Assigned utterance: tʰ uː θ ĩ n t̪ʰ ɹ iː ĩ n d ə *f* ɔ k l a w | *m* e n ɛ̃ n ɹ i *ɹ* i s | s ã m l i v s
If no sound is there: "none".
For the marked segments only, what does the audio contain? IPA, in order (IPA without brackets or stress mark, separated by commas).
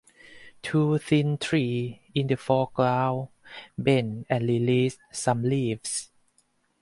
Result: f, b, l